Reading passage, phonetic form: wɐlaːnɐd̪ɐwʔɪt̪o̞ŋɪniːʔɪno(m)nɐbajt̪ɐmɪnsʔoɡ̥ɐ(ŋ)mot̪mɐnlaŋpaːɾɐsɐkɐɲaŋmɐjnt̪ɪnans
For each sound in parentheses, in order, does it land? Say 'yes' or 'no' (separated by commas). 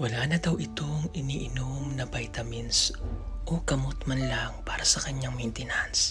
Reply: yes, no